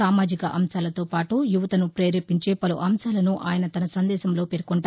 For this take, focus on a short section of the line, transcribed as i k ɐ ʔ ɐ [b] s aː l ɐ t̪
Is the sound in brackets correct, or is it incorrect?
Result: incorrect